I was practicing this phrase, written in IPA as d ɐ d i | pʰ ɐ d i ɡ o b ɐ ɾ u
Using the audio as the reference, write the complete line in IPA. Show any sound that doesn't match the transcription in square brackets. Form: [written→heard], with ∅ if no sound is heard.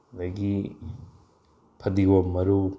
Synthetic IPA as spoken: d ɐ [d→ɡ] i | pʰ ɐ d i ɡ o [b→m] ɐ ɾ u